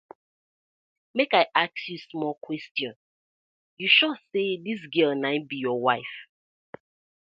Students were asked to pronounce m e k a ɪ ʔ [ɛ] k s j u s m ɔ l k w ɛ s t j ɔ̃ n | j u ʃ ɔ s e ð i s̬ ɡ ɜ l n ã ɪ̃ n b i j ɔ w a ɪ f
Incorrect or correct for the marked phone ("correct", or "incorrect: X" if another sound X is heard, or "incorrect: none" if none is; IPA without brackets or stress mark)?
incorrect: a